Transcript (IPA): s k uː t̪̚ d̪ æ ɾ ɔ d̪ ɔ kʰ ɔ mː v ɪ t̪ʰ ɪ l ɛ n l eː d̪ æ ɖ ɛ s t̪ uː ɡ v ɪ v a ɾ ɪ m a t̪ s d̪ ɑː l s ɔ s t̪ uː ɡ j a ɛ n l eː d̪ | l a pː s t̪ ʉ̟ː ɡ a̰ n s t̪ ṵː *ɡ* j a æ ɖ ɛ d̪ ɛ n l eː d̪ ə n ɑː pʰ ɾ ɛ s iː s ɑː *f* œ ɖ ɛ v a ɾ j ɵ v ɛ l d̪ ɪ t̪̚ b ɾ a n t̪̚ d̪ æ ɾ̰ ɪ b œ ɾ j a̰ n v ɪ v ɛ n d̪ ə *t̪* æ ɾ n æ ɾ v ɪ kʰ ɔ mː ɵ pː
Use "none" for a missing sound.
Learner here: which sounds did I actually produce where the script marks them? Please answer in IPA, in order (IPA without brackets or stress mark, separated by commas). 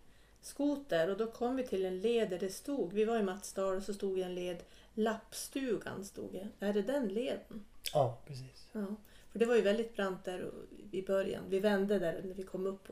ɡ, f, d̪